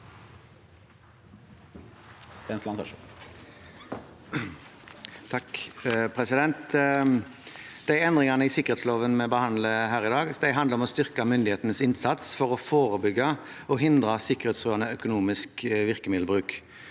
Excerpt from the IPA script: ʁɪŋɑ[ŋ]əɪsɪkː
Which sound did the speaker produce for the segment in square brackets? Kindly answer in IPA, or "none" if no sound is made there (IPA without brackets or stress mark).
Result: n